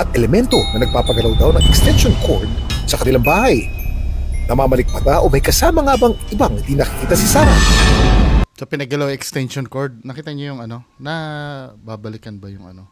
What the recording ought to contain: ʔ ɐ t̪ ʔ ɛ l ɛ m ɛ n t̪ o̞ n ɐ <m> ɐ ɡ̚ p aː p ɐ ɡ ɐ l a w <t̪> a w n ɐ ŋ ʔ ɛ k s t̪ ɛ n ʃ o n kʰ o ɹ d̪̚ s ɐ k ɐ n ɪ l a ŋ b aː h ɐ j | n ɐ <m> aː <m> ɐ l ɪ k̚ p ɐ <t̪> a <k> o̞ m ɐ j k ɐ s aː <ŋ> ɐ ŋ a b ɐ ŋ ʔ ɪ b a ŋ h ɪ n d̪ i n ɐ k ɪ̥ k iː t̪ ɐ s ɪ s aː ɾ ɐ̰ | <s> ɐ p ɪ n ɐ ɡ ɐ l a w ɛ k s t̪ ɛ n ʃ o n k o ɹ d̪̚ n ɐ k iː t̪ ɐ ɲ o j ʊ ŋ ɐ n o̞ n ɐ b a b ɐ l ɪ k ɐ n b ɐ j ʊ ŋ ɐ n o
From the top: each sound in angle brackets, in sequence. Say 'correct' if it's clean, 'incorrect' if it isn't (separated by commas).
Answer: incorrect, incorrect, correct, correct, correct, incorrect, incorrect, correct